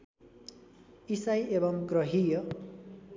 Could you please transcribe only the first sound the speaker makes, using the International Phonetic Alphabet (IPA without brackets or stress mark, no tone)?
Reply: i